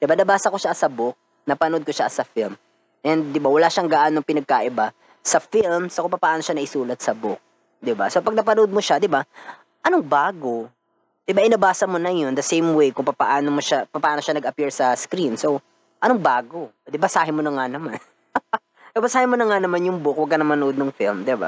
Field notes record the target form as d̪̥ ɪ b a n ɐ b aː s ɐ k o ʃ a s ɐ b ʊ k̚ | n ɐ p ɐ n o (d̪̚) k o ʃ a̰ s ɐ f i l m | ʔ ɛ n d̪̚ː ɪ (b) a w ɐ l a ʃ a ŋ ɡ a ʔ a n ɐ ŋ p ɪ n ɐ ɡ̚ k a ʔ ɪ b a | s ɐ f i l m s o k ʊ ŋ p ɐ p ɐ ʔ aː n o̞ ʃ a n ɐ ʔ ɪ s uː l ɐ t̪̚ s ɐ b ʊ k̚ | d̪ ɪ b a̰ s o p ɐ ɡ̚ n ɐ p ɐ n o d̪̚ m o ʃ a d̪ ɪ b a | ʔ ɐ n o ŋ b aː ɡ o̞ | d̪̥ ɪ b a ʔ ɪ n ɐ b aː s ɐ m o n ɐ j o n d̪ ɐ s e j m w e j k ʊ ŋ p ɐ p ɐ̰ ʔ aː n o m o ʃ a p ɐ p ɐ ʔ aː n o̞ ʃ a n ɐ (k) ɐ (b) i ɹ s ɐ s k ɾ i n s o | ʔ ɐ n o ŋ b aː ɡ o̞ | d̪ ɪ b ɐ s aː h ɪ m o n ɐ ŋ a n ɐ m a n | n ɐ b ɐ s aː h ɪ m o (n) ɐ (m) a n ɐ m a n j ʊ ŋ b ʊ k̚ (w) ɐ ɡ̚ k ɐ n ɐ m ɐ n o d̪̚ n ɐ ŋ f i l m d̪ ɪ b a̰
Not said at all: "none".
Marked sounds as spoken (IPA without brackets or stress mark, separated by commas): d̪̚, b, ɡ, p, n, ŋ, w